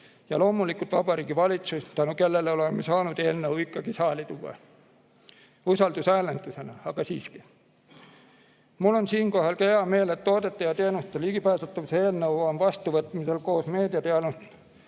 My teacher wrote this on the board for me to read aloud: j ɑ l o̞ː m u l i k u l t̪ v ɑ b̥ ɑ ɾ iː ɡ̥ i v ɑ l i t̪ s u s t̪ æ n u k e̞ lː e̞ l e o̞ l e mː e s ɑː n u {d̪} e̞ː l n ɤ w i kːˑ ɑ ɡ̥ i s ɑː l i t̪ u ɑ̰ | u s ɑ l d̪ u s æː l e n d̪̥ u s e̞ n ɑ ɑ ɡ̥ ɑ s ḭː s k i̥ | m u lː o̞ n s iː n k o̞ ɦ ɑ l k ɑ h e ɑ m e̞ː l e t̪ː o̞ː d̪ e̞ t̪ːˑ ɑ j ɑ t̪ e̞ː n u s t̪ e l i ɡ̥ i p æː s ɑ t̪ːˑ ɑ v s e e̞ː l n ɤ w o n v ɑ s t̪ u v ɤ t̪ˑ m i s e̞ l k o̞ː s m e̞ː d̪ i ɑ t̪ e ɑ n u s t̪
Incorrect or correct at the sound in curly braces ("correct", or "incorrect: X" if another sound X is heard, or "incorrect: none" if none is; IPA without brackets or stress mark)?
correct